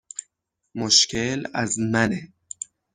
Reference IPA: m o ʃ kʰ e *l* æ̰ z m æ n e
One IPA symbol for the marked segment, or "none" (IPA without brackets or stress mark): l